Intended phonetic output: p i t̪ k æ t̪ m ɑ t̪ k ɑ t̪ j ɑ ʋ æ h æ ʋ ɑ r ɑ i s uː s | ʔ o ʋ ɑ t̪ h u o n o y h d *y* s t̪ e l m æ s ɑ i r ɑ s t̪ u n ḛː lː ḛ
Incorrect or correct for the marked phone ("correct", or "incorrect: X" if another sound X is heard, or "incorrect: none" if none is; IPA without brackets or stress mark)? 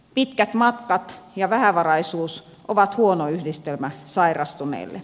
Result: incorrect: i